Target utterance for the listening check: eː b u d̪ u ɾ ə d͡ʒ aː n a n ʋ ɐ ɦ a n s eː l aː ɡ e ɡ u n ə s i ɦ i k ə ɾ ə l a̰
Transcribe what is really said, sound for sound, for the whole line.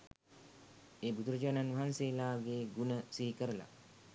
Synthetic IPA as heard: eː b u d̪ u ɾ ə d͡ʒ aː n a n ʋ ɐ ɦ a n s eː l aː ɡ e ɡ u n ə s i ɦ i k ə ɾ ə l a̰